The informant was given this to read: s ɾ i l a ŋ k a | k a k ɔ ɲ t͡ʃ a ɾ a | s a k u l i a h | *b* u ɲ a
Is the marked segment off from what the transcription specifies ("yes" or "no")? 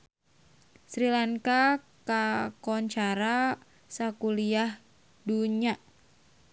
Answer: yes